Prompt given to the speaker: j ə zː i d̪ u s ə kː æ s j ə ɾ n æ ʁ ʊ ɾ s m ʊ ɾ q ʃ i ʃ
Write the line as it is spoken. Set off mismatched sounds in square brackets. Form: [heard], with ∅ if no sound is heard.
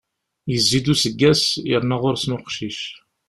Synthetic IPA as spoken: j ə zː i d̪ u s ə [ɡː] æ s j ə ɾ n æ ʁ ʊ ɾ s m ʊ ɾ q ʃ i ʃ